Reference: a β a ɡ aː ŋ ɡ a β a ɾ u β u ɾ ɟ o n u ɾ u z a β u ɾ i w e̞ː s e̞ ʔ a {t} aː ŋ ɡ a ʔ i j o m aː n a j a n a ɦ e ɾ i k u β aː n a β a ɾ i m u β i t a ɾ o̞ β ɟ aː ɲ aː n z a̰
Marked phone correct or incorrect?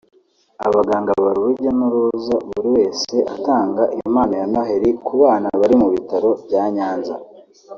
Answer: correct